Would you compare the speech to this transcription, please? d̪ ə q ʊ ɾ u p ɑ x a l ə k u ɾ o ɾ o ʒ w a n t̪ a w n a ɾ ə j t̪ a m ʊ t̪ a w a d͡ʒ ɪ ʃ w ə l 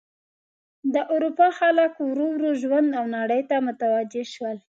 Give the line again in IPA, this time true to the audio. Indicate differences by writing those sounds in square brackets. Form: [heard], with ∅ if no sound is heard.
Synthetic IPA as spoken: d̪ ə [ʔ] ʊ ɾ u p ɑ x a l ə k [w] ɾ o ɾ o ʒ w a n [d̪] a w n a [ɽ] ə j t̪ a m ʊ t̪ a w a d͡ʒ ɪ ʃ w ə l